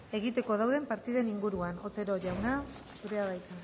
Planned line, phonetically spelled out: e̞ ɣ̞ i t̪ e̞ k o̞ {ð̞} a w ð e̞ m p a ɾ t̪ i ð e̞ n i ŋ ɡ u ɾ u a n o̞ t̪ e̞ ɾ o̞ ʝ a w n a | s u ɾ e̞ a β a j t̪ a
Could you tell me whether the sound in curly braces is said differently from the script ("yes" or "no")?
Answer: no